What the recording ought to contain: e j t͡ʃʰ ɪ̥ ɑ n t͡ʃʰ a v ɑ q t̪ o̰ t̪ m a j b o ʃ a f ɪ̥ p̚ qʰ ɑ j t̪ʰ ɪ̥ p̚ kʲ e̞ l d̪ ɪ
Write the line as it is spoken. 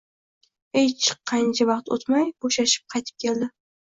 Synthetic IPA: e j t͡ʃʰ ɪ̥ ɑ n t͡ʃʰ a v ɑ q t̪ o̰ t̪ m a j b o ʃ a ʃ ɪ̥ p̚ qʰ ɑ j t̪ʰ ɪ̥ p̚ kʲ e̞ l d̪ ɪ